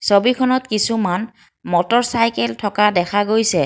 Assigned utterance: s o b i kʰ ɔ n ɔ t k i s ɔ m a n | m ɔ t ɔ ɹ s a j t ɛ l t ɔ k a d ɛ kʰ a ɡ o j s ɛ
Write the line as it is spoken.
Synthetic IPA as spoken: s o b i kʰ ɔ n ɔ t k i s u m a n | m ɔ t ɔ ɹ s a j k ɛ l tʰ ɔ k a d ɛ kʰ a ɡ o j s ɛ